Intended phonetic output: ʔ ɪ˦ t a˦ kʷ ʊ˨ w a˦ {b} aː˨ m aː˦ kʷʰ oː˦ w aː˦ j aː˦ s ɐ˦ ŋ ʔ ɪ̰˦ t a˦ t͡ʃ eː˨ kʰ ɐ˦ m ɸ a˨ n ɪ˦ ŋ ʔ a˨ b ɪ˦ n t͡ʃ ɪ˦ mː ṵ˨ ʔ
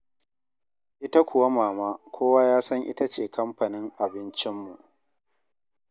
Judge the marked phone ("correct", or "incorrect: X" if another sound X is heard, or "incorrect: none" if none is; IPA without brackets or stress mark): incorrect: m